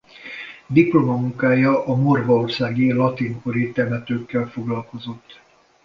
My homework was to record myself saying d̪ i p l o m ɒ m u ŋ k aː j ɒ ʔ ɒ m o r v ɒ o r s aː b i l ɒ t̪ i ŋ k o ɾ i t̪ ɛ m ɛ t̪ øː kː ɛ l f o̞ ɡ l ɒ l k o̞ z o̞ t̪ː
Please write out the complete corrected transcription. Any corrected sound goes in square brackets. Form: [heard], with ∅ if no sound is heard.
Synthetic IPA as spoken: d̪ i p l o m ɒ m u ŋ k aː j ɒ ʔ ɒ m o r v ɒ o r s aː [ɡ] i l ɒ t̪ i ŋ k o ɾ i t̪ ɛ m ɛ t̪ øː kː ɛ l f o̞ ɡ l ɒ l k o̞ z o̞ t̪ː